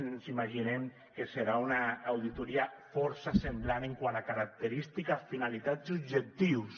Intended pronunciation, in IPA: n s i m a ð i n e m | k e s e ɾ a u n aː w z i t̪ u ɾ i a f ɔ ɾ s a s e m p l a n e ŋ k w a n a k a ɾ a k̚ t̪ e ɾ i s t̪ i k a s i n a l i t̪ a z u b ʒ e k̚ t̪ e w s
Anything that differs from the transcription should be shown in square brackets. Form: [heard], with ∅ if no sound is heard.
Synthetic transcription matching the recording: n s i m a [ʒ] i n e m | k e s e ɾ a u n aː w [ð] i t̪ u ɾ i a f ɔ ɾ s a s e m [b] l a n e ŋ k w a n a k a ɾ a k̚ t̪ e ɾ i s t̪ i k a [f] i n a l i t̪ a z u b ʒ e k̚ t̪ [i] w s